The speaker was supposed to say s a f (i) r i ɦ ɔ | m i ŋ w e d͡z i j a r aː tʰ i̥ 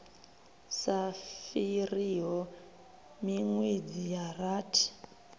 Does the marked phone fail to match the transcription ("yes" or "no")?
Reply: no